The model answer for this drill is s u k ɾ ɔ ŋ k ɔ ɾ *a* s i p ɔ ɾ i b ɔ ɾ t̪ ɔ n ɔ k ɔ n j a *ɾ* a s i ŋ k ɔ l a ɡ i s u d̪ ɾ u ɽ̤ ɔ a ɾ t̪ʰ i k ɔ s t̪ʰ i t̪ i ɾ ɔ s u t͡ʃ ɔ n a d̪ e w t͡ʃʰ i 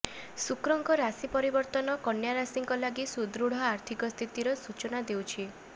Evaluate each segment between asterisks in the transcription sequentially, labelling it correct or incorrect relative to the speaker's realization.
correct, correct

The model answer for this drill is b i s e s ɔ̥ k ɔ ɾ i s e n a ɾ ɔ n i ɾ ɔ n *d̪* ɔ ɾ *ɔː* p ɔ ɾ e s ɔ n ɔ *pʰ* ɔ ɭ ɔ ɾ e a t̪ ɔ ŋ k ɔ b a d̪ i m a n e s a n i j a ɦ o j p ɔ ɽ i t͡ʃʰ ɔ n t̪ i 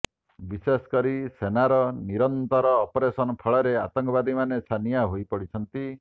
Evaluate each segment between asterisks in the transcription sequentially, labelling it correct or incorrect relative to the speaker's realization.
incorrect, correct, correct

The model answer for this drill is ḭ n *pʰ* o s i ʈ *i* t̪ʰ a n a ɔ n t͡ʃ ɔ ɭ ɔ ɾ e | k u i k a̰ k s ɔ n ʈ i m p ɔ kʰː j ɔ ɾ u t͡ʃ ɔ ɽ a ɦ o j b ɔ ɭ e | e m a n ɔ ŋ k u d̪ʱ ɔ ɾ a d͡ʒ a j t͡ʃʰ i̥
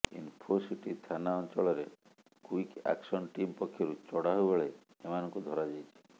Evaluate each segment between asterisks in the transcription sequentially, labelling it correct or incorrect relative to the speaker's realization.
correct, correct

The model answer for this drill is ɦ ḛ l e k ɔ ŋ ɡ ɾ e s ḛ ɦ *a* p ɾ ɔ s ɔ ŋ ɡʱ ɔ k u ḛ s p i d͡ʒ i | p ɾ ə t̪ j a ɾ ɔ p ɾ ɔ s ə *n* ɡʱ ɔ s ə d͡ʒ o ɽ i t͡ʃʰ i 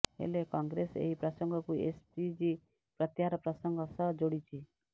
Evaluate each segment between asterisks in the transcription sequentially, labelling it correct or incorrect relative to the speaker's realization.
incorrect, incorrect

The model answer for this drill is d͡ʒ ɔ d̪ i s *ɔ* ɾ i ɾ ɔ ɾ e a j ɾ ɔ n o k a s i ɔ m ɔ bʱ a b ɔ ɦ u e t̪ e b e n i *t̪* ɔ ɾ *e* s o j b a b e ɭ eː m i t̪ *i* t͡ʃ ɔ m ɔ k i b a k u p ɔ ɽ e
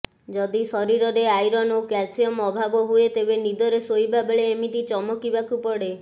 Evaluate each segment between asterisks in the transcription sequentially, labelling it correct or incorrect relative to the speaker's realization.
correct, incorrect, correct, correct

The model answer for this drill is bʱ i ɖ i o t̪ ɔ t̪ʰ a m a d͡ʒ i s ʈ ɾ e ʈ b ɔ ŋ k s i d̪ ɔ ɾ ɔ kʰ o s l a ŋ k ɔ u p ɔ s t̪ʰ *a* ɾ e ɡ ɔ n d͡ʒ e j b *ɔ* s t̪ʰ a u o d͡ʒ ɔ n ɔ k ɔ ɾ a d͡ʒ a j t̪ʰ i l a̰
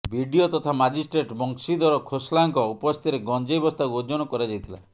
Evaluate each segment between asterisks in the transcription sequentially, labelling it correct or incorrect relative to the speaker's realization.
incorrect, correct

